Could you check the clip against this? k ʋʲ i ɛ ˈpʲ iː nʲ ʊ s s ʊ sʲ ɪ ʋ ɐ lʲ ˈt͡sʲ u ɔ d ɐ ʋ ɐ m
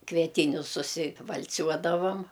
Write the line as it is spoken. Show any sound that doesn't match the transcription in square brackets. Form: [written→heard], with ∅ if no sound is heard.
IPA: k ʋʲ i ɛ [ˈpʲ→ˈtʲ] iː nʲ ʊ s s ʊ sʲ ɪ ʋ ɐ lʲ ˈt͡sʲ u ɔ d ɐ ʋ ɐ m